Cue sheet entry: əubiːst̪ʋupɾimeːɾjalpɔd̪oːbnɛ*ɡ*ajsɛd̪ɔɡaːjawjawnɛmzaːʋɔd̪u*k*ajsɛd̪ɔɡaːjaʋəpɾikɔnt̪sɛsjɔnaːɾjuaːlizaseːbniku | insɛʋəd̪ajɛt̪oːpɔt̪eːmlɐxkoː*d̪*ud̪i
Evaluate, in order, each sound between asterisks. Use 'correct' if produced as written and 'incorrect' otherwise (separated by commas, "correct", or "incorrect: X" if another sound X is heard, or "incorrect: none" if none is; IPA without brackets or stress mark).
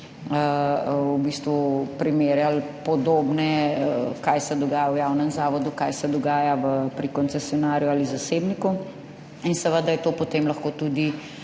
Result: incorrect: k, correct, incorrect: t̪